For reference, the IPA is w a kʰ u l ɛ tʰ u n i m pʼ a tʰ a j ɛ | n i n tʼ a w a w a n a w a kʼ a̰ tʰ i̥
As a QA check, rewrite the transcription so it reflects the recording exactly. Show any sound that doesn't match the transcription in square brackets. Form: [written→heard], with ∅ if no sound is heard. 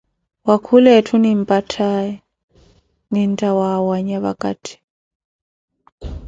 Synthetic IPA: w a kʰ u l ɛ tʰ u n i m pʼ a tʰ a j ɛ | n i n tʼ a w a w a [n→ɲ] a [w→β] a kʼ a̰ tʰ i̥